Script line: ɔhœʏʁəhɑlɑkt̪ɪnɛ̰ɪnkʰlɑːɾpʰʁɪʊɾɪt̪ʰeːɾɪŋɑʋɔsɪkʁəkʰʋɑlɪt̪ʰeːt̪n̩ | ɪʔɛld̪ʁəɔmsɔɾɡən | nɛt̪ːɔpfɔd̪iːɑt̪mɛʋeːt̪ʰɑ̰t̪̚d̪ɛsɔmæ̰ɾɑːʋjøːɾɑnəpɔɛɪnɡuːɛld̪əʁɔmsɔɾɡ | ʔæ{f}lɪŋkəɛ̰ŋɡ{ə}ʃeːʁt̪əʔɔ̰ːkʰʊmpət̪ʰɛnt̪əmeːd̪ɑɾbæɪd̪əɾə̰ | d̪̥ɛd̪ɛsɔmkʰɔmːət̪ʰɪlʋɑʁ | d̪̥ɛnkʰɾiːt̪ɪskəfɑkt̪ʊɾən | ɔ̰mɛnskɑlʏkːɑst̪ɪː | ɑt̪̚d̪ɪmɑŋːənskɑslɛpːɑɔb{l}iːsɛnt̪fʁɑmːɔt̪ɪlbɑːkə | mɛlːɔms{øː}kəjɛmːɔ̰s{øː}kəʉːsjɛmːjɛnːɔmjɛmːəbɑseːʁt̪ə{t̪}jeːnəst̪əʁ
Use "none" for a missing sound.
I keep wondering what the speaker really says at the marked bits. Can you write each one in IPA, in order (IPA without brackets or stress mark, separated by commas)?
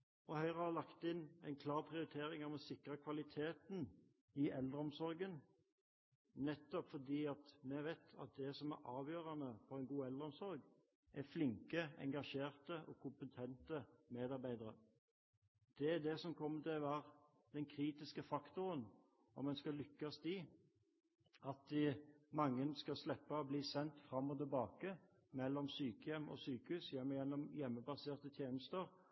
f, ɑ, l, yː, yː, t̪ʰ